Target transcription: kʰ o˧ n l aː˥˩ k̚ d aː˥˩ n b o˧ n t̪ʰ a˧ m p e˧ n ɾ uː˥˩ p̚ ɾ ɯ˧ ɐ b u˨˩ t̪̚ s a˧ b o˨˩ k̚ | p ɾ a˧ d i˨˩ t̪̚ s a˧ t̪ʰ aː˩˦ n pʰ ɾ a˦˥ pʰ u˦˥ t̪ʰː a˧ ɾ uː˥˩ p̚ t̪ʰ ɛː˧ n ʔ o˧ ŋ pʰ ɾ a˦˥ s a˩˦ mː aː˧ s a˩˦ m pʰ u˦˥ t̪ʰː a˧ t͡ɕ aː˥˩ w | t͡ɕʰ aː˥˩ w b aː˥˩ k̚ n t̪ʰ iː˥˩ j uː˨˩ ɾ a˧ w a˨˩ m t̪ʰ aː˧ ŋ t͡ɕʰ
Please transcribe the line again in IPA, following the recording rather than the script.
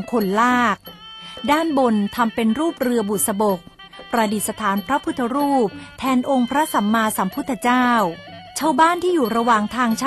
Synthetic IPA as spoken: kʰ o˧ n l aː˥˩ k̚ d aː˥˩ n b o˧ n t̪ʰ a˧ m p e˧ n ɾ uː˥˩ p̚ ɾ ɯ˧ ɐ b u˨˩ t̪̚ s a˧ b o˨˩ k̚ | p ɾ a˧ d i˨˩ t̪̚ s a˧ t̪ʰ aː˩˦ n pʰ ɾ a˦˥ pʰ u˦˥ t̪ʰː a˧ ɾ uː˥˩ p̚ t̪ʰ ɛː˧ n ʔ o˧ ŋ pʰ ɾ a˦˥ s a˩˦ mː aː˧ s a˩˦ m pʰ u˦˥ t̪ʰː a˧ t͡ɕ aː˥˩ w | t͡ɕʰ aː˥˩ w b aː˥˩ n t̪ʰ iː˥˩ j uː˨˩ ɾ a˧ w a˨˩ ŋ t̪ʰ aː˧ ŋ t͡ɕʰ